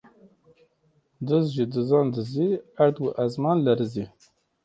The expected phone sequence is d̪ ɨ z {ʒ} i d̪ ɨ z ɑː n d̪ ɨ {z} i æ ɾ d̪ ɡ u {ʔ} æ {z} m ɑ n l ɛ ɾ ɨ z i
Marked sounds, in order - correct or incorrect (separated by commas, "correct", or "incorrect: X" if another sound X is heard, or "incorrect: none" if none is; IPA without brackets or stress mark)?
correct, correct, correct, correct